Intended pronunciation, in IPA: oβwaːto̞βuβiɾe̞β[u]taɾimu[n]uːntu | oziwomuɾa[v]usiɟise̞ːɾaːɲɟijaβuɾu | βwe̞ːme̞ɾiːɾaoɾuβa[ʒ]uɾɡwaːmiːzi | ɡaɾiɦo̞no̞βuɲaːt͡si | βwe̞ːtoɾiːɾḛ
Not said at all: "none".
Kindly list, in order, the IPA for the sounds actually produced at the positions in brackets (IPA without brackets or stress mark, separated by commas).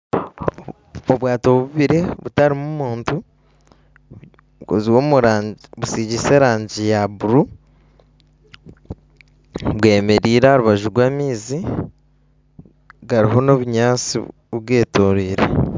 u, m, β, ʒ